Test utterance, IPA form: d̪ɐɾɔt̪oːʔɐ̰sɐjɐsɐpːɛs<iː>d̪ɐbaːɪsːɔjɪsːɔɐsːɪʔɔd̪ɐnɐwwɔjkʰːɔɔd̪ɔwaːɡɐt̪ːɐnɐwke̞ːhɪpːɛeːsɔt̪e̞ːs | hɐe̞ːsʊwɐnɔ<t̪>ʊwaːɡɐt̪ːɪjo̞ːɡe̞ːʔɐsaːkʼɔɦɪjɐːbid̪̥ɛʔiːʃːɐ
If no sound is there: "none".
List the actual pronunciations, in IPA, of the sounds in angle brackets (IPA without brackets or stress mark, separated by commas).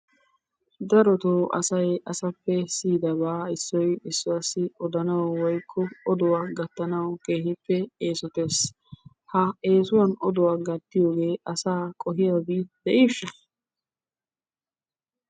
iː, d̪